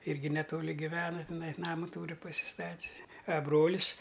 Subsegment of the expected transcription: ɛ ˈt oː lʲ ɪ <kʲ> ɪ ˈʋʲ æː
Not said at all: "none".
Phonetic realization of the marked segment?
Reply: ɡʲ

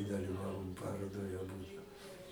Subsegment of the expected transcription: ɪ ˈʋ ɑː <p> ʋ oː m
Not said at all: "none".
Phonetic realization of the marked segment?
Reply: none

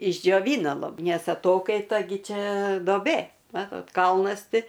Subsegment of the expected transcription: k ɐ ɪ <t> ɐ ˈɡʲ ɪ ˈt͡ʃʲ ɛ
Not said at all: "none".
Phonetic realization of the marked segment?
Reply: t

